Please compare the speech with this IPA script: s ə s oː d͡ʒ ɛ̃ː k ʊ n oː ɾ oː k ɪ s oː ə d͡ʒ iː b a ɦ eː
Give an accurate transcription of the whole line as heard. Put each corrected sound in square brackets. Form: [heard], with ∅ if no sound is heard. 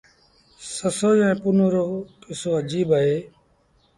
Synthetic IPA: s ə s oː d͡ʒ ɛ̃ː [p] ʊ n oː ɾ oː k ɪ s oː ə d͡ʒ iː b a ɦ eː

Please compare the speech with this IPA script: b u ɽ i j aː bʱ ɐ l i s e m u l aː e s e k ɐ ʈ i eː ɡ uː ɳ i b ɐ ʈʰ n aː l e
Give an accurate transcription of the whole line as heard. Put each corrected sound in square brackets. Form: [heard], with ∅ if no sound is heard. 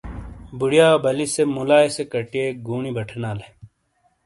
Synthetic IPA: b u ɽ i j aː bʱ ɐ l i s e m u l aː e s e k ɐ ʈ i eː ɡ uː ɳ i b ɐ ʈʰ n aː l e

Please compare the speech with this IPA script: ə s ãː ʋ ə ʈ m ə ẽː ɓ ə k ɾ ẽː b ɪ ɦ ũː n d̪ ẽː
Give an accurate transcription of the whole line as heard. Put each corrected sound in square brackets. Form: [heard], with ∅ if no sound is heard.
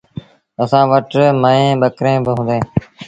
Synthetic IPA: ə s ãː ʋ ə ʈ m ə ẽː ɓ ə k ɾ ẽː b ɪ ɦ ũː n d̪ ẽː

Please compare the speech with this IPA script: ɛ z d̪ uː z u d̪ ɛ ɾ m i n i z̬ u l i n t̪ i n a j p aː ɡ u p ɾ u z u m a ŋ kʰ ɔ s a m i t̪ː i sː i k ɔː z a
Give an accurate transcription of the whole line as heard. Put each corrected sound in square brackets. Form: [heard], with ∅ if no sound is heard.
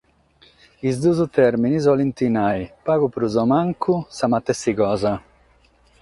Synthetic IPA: [i] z d̪ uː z u [t̪] ɛ ɾ m i n i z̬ [ɔ] l i n t̪ i n a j p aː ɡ u p ɾ u z [ɔ] m a ŋ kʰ [u] s a m [a] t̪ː [ɛ] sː i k ɔː z a

